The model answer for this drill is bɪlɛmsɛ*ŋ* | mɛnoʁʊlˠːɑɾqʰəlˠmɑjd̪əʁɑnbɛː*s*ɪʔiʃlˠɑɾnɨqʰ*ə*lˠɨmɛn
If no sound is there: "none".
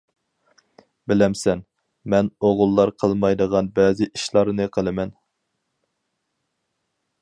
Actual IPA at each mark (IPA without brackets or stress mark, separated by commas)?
n, z, ə